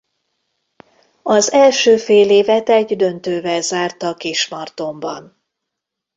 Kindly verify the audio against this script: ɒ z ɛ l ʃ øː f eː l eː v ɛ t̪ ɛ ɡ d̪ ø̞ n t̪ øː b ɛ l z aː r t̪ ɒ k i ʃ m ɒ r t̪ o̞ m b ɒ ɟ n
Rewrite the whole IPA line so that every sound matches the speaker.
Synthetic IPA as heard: ɒ z ɛ l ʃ øː f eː l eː v ɛ t̪ ɛ ɟ d̪ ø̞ n t̪ øː v ɛ l z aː r t̪ ɒ k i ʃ m ɒ r t̪ o̞ m b ɒ n